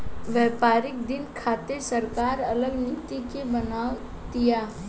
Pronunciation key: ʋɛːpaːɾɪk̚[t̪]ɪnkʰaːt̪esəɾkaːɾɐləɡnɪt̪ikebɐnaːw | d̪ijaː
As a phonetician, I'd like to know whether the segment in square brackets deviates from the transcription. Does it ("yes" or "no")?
yes